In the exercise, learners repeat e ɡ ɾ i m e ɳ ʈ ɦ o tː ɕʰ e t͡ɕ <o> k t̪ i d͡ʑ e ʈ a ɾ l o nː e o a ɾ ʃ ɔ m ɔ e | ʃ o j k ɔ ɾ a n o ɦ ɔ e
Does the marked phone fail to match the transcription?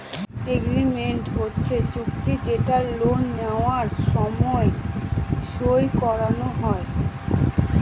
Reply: yes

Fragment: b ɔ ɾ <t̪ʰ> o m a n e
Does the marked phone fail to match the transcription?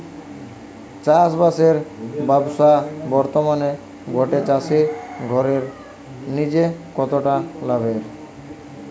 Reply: yes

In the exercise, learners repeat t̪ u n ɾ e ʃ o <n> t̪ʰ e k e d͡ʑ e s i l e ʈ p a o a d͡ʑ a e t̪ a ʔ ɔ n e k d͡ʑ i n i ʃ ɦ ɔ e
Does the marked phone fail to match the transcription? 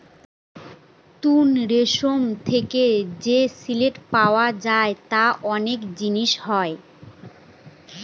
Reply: yes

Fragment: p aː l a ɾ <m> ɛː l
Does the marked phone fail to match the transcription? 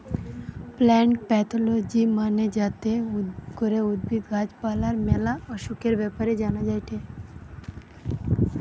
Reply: no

